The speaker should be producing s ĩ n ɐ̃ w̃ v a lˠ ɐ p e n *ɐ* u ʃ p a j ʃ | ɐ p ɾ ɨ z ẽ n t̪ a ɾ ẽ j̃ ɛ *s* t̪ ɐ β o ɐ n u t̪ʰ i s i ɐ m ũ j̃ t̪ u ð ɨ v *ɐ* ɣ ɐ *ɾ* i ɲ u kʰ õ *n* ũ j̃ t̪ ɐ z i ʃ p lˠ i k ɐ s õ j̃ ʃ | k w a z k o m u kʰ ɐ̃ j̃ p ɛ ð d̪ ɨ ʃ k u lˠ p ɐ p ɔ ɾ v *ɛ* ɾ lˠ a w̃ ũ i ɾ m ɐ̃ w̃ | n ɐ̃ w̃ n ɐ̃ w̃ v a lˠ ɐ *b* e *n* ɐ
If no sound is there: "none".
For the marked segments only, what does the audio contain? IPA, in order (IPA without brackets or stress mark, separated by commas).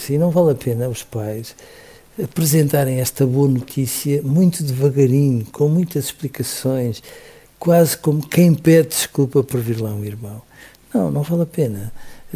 ɐ, ʃ, ɐ, ɾ, m, i, p, n